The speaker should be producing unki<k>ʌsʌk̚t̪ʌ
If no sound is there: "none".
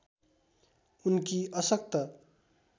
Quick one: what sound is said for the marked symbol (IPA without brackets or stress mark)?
none